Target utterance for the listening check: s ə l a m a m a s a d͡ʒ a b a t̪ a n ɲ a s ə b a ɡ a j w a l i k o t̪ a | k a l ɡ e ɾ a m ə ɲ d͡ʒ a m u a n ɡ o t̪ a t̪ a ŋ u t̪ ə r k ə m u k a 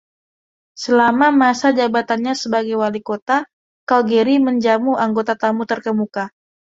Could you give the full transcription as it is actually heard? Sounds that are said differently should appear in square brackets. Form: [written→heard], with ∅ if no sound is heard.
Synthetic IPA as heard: s ə l a m a m a s a d͡ʒ a b a t̪ a n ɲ a s ə b a ɡ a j w a l i k o t̪ a | k a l ɡ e ɾ [a→i] m ə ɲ d͡ʒ a m u a [n→ŋ] ɡ o t̪ a t̪ a [ŋ→m] u t̪ ə r k ə m u k a